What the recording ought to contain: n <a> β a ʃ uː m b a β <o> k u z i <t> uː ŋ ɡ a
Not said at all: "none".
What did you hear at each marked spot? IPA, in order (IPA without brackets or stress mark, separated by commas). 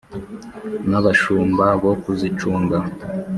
a, o, t͡ʃ